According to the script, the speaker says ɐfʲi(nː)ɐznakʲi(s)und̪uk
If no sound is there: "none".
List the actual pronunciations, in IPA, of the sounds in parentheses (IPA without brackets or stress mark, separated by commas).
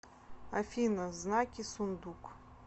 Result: n, s